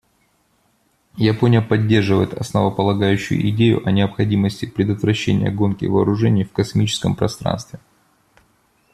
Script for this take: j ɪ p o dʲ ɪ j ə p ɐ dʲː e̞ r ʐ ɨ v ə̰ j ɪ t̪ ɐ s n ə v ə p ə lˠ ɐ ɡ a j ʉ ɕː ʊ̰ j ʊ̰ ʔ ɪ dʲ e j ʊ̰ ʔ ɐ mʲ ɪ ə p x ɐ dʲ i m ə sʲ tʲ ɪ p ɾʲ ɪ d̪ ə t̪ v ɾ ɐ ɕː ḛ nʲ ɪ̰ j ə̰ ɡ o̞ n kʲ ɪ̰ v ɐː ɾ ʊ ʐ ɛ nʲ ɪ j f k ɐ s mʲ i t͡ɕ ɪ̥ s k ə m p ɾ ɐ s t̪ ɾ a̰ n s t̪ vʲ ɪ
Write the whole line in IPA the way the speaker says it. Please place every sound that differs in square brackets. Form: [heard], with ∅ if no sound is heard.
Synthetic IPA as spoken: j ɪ p o [nʲ] ɪ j ə p ɐ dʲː e̞ r ʐ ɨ v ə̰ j ɪ t̪ ɐ s n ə v ə p ə lˠ ɐ ɡ a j ʉ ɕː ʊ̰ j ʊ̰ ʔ ɪ dʲ e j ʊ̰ ʔ ɐ [nʲ] ɪ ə p x ɐ dʲ i m ə sʲ tʲ ɪ p ɾʲ ɪ d̪ ə t̪ v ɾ ɐ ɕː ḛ nʲ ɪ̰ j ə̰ ɡ o̞ n kʲ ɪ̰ v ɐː ɾ ʊ ʐ ɛ nʲ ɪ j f k ɐ s mʲ i t͡ɕ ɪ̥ s k ə m p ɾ ɐ s t̪ ɾ a̰ n s t̪ vʲ ɪ